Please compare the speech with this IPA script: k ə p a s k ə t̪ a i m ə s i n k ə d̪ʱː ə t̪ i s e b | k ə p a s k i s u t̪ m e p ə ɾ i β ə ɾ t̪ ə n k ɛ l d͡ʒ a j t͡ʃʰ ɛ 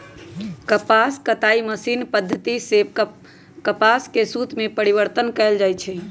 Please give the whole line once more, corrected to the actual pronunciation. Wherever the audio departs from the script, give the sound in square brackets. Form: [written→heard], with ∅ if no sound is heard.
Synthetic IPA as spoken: k ə p a s k ə t̪ a i m ə s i n [k→p] ə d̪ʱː ə t̪ i s e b | k ə p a s k [i→e] s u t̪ m e p ə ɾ i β ə ɾ t̪ ə n k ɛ l d͡ʒ a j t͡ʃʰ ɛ